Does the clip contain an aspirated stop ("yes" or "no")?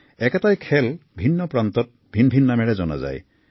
yes